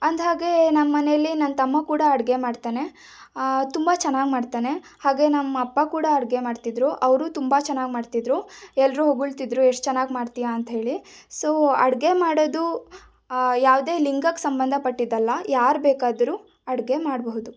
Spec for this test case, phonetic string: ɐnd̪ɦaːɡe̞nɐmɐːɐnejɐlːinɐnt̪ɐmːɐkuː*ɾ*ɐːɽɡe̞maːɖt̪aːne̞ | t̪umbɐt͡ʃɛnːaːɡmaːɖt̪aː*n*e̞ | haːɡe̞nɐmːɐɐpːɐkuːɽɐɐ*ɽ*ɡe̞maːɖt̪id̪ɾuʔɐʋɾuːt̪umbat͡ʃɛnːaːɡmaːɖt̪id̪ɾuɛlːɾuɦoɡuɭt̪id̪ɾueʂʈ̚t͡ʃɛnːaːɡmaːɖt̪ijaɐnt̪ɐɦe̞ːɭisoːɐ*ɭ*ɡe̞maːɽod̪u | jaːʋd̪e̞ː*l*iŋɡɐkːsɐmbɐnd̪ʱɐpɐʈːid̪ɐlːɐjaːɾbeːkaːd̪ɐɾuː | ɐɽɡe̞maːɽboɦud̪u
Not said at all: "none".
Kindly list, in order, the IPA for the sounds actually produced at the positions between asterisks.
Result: ɽ, n, ɽ, ɽ, l

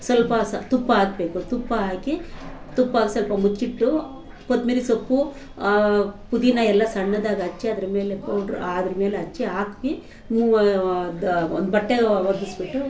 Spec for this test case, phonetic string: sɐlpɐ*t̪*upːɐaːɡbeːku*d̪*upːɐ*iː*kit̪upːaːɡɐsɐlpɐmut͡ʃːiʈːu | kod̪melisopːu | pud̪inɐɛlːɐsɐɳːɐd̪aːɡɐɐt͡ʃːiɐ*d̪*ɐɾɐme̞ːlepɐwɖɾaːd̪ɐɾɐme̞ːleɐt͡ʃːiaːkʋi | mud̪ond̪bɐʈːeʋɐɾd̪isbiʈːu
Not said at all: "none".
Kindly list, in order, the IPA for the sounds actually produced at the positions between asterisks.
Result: t̪, t̪, aː, d̪

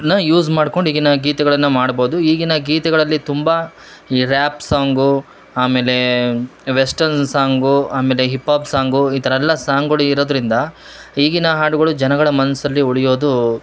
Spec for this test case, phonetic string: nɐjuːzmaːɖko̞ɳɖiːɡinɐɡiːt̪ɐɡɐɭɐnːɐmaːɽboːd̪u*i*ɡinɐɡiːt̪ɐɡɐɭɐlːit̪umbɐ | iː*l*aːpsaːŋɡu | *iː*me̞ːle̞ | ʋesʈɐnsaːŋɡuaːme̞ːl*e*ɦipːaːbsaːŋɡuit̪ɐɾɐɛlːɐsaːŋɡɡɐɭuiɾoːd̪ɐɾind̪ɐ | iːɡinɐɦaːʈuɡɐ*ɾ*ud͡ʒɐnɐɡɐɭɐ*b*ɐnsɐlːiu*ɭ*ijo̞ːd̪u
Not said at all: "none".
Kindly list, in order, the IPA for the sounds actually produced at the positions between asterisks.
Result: iː, ɾ, aː, e, ɭ, m, ɭ

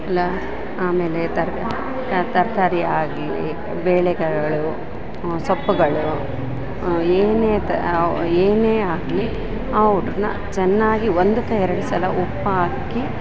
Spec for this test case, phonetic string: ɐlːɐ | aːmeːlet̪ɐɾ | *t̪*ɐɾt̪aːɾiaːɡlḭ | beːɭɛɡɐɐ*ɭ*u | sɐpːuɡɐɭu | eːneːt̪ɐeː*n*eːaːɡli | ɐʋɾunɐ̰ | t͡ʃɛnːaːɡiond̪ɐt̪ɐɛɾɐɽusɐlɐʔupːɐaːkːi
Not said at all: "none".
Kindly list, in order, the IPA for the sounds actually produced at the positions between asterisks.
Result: t̪, ɭ, n

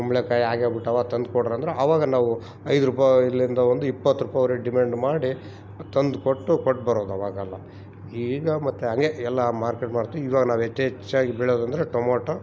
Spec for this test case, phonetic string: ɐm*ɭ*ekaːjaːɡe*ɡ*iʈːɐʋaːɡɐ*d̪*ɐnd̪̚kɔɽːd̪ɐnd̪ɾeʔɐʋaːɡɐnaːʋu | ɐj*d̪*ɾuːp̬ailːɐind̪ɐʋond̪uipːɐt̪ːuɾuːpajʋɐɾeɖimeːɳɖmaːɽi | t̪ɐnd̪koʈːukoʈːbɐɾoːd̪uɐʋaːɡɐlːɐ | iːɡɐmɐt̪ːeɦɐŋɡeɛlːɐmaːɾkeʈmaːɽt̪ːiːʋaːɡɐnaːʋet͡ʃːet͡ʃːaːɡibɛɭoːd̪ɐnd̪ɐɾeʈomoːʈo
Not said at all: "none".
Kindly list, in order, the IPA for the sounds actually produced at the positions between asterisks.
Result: ɭ, b, t̪, d̪

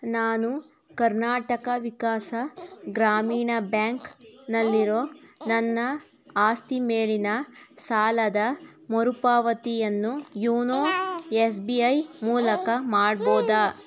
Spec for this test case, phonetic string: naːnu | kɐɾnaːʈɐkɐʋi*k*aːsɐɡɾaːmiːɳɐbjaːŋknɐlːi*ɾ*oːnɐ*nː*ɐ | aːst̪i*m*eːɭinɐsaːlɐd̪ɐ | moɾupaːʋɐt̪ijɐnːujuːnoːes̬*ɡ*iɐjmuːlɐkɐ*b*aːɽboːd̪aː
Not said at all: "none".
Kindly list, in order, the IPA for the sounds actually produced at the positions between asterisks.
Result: k, ɾ, nː, m, b, m

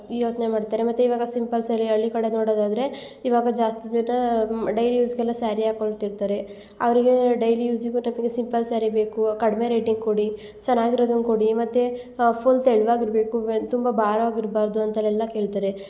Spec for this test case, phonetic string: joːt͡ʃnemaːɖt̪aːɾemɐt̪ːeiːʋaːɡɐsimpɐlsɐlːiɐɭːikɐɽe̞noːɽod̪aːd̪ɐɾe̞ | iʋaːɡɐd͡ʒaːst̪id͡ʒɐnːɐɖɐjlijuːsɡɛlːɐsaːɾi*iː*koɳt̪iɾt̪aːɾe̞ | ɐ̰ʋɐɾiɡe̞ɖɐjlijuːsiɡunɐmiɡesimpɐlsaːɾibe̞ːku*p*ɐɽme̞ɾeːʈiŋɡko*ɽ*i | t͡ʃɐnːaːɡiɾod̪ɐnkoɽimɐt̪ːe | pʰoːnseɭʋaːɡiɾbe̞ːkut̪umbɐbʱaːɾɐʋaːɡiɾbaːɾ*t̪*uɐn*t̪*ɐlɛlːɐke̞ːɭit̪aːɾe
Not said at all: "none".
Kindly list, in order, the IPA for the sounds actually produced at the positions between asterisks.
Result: aː, k, ɽ, d̪, t̪

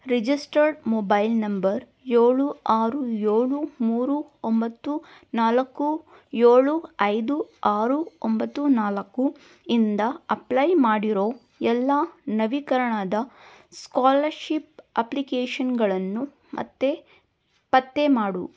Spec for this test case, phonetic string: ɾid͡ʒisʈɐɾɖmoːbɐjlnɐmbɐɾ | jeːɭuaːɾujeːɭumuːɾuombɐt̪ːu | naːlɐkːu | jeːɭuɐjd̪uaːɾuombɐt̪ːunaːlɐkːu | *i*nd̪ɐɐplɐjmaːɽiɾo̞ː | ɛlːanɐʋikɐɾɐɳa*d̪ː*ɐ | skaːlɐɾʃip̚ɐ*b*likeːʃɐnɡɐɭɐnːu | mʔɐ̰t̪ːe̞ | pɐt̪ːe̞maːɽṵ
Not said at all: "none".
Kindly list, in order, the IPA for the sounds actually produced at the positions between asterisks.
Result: i, d̪, p

